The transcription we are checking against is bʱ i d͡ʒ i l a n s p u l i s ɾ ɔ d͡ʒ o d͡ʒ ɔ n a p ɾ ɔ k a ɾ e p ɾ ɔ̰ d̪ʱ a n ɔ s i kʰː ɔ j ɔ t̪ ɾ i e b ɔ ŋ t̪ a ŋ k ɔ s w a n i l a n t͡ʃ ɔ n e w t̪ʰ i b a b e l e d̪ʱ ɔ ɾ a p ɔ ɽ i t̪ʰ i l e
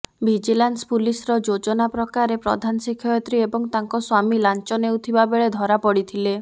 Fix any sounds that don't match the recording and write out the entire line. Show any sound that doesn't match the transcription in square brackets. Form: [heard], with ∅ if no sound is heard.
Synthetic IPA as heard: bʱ i d͡ʒ i l a n s p u l i s ɾ ɔ d͡ʒ o d͡ʒ ɔ n a p ɾ ɔ k a ɾ e p ɾ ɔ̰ d̪ʱ a n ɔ s i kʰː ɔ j ɔ t̪ ɾ i e b ɔ ŋ t̪ a ŋ k ɔ s w a [m] i l a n t͡ʃ ɔ n e w t̪ʰ i b a b e [ɭ] e d̪ʱ ɔ ɾ a p ɔ ɽ i t̪ʰ i l e